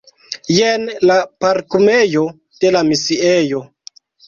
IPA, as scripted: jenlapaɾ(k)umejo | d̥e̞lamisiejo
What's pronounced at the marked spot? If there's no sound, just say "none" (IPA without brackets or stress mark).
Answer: k